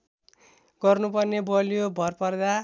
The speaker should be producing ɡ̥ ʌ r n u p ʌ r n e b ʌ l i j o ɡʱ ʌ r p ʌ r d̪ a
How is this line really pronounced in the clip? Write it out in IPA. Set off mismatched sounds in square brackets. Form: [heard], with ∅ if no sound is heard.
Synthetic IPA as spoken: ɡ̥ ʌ r n u p ʌ r n e b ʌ l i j o [bʱ] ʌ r p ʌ r d̪ a